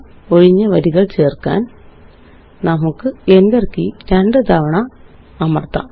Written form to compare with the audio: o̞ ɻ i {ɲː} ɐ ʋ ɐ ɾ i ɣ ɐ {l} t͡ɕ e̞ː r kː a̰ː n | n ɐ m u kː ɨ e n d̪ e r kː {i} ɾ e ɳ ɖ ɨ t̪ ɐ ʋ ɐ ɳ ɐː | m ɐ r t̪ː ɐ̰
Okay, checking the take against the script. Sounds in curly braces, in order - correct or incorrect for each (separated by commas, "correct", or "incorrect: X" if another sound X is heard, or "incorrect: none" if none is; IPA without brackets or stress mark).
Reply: correct, incorrect: ɭ, correct